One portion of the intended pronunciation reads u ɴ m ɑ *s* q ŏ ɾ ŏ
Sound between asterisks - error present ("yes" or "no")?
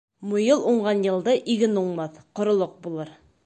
yes